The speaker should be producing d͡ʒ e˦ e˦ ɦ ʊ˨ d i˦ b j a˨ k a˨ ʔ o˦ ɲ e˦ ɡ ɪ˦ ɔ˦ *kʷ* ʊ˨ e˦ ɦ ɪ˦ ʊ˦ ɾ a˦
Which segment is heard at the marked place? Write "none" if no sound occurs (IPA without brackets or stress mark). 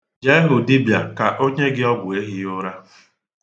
ɡʷ